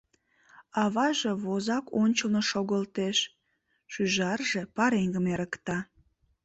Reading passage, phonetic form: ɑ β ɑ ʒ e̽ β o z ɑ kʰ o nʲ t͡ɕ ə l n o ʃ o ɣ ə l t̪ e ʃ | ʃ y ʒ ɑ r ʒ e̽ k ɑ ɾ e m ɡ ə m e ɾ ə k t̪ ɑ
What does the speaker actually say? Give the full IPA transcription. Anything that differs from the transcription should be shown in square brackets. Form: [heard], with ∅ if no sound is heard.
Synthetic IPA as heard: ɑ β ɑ ʒ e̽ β o z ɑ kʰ o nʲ t͡ɕ ə l n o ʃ o ɣ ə l t̪ e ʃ | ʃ y ʒ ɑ r ʒ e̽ [p] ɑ ɾ e [ŋ] ɡ ə m e ɾ ə k t̪ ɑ